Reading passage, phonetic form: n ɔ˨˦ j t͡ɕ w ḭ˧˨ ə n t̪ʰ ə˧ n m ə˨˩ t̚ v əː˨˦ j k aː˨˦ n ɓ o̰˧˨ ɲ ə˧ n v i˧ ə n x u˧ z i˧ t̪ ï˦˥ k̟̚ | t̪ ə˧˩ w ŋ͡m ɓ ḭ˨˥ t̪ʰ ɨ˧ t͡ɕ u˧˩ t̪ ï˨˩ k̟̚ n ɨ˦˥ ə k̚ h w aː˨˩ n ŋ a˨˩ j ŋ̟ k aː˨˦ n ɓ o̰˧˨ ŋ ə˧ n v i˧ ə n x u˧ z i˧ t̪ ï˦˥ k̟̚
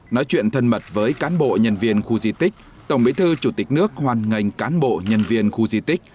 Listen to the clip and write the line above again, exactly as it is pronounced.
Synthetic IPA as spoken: n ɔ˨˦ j t͡ɕ w ḭ˧˨ ə n t̪ʰ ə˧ n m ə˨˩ t̚ v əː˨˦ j k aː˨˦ n ɓ o̰˧˨ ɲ ə˧ n v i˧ ə n x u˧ z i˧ t̪ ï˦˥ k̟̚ | t̪ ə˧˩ w ŋ͡m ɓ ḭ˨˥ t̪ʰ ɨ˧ t͡ɕ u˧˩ t̪ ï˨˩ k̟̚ n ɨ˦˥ ə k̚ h w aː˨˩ n ŋ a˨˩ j ŋ̟ k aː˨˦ n ɓ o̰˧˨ ɲ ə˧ n v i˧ ə n x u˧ z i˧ t̪ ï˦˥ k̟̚